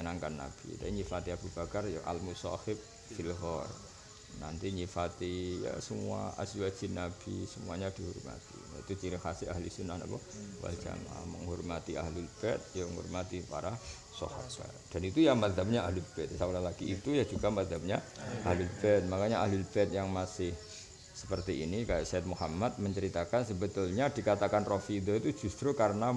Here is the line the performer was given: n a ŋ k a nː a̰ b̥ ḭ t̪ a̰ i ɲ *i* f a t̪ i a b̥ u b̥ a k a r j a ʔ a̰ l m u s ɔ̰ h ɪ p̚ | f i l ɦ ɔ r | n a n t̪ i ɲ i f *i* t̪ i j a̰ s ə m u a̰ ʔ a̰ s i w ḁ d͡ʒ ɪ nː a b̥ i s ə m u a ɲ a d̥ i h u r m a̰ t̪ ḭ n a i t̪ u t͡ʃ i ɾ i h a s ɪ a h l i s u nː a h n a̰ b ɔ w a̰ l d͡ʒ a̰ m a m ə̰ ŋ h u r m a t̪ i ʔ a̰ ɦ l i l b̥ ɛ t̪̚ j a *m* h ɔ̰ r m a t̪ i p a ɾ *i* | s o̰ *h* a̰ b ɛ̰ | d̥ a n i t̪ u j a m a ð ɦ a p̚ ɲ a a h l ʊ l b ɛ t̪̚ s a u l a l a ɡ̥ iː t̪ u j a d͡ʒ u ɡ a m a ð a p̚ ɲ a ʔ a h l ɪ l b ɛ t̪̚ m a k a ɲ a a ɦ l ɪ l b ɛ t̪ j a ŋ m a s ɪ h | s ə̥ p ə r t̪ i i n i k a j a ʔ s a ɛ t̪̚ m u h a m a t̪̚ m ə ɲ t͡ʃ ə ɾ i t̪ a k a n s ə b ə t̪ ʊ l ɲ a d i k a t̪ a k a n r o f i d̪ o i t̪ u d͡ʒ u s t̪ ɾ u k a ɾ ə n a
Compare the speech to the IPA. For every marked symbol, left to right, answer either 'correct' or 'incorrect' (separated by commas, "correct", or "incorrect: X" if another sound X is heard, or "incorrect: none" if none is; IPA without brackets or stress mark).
correct, incorrect: a, incorrect: ŋ, incorrect: a, correct